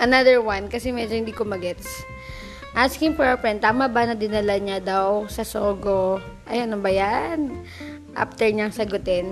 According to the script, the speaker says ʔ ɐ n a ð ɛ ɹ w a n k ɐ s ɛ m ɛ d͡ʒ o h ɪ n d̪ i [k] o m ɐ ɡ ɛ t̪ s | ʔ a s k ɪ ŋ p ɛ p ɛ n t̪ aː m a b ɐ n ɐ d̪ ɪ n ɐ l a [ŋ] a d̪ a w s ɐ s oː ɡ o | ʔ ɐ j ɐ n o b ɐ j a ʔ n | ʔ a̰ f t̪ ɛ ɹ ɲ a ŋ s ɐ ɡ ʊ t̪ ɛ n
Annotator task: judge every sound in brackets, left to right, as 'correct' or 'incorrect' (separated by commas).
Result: correct, incorrect